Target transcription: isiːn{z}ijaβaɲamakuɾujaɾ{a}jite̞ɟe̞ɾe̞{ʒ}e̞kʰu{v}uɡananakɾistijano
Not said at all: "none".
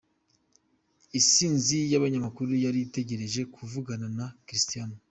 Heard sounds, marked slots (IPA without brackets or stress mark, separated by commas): z, i, ʒ, v